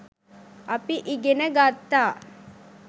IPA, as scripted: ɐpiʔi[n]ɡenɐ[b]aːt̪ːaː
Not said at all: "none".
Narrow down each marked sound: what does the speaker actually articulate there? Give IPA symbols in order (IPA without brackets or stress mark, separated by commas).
none, ɡ